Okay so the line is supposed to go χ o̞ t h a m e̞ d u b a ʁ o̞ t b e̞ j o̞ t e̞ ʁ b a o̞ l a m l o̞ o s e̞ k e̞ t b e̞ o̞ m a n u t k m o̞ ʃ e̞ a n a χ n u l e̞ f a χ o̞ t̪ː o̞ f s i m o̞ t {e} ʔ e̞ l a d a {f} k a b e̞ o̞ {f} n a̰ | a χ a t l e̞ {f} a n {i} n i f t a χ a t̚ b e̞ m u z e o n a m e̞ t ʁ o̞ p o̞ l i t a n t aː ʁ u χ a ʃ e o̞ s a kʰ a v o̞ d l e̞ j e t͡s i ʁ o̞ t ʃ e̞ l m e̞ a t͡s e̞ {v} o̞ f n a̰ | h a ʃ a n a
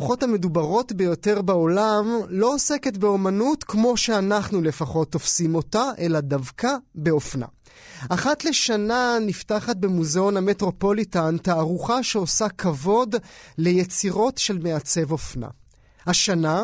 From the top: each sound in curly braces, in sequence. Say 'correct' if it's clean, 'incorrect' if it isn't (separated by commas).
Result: incorrect, incorrect, correct, incorrect, incorrect, correct